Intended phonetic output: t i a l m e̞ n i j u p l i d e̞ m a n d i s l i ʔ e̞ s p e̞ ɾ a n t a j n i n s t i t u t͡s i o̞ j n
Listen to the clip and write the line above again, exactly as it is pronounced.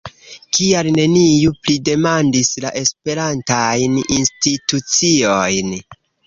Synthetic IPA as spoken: k i a l n e̞ n i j u p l i d e̞ m a n d i s l a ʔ e̞ s p e̞ ɾ a n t a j n i n s t i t u t͡s i o̞ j n